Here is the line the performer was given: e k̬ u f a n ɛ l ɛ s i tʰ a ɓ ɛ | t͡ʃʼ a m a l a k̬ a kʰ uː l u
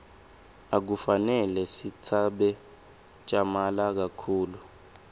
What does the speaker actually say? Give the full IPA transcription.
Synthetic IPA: a k̬ u f a n ɛ l ɛ s i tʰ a ɓ ɛ | t͡ʃʼ a m a l a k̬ a kʰ uː l u